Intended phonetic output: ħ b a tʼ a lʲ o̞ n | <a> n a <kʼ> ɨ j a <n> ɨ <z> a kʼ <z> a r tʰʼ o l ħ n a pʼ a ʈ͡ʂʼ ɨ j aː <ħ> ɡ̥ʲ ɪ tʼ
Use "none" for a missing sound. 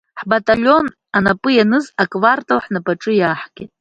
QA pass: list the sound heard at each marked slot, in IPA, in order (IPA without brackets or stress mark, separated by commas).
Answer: a, pʼ, n, z, v, ħ